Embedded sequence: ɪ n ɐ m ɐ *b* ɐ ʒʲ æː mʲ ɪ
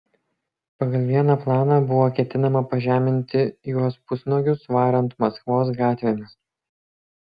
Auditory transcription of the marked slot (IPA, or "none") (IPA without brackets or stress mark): p